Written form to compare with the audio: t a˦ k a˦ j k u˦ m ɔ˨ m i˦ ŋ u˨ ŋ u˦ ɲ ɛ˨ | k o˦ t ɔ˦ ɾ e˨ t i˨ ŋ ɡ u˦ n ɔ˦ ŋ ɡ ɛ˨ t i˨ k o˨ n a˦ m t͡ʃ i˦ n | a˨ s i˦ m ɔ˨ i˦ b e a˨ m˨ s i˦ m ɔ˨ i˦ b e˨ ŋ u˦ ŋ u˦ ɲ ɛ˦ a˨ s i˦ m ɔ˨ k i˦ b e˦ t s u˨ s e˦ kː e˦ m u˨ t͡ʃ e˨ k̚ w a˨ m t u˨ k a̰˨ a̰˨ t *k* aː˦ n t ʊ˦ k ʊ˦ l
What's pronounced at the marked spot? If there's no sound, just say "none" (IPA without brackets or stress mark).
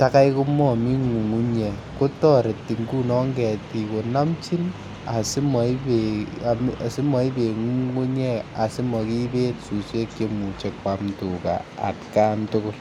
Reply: k